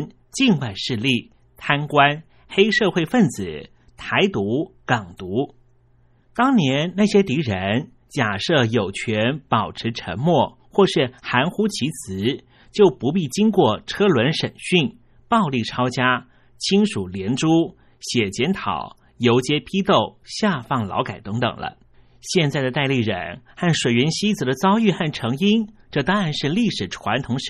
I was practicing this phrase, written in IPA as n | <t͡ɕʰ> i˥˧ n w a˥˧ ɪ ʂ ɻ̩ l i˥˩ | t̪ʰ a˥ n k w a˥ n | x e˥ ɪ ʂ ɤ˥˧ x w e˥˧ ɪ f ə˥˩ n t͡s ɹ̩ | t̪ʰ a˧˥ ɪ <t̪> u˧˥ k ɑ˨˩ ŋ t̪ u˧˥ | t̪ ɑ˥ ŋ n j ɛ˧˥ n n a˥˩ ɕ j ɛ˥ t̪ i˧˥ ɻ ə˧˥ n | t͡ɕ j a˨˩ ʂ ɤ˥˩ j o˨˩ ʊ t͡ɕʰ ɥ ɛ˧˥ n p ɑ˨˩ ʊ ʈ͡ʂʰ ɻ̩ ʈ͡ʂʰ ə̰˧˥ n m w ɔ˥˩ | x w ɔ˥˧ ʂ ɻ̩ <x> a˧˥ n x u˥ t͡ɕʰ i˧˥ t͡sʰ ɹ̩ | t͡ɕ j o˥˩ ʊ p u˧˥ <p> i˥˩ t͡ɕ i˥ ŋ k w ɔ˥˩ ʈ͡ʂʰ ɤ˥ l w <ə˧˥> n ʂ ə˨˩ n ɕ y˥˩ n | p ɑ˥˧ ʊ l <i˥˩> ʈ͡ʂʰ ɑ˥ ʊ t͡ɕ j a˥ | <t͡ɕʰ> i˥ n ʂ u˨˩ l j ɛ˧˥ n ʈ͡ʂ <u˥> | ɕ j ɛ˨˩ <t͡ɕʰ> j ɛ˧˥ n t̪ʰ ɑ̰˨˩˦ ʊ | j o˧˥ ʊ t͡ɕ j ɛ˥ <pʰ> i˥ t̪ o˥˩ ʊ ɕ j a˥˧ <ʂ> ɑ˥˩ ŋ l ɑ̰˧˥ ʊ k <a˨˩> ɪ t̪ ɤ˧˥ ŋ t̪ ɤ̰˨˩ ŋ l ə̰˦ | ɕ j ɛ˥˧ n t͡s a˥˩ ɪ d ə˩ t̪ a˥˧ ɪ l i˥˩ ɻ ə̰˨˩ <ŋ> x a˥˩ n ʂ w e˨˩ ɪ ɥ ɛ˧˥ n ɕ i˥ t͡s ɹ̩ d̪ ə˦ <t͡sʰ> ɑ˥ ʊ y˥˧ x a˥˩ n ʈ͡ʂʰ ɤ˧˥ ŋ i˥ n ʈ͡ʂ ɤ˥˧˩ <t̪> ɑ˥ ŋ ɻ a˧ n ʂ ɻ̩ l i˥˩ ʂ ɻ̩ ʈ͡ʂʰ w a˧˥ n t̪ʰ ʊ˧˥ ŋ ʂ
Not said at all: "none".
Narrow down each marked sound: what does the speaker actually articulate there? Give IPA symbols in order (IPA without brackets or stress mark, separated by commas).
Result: t͡ɕ, t̪, x, p, ə˧˥, i˥˩, t͡ɕʰ, u˥, t͡ɕ, pʰ, f, a˨˩, n, t͡s, t̪